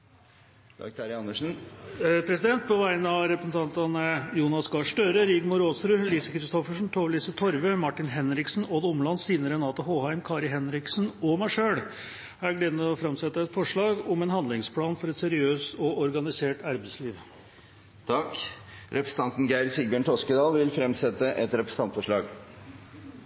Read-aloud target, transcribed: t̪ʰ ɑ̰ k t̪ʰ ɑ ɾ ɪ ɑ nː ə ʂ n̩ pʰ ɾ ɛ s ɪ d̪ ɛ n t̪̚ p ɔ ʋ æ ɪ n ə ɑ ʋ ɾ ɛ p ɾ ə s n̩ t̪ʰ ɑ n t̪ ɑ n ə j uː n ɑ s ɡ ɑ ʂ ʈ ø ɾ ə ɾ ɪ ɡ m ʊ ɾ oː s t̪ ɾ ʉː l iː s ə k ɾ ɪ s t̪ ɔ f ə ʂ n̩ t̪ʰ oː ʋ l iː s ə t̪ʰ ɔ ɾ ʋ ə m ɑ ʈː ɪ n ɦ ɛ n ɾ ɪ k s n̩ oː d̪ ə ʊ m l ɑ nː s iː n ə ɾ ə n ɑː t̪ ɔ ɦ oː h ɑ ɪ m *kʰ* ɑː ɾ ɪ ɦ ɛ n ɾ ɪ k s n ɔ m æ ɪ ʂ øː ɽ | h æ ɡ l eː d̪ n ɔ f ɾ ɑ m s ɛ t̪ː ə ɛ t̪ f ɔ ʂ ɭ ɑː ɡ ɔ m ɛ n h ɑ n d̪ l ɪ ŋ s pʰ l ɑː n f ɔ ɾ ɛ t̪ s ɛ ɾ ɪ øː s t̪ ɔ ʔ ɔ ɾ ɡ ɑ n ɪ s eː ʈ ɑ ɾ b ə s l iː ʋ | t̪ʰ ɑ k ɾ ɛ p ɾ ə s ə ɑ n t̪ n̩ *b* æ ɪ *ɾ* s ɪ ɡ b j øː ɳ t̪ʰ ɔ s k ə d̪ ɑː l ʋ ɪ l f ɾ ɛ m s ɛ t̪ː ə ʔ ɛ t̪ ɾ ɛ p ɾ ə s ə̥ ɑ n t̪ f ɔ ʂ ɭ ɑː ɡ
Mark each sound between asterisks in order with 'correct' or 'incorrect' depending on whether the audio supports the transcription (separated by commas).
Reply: correct, incorrect, correct